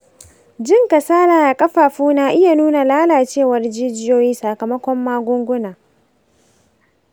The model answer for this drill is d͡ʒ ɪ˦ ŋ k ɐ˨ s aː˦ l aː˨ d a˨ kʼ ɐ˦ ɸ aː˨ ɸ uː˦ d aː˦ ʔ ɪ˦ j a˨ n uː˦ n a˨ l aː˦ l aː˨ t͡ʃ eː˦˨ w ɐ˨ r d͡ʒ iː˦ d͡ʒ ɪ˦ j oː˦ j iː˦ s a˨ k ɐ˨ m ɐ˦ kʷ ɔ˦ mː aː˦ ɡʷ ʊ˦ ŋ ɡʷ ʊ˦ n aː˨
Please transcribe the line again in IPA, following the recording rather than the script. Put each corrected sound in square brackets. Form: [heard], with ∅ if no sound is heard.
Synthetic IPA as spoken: d͡ʒ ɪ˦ ŋ k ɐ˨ s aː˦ l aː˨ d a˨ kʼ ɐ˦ ɸ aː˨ ɸ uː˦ [n] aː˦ ʔ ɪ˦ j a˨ n uː˦ n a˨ l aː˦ l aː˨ t͡ʃ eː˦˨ w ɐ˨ r d͡ʒ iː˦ d͡ʒ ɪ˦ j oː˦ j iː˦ s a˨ k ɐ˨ m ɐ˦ kʷ ɔ˦ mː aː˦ ɡʷ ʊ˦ ŋ ɡʷ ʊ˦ n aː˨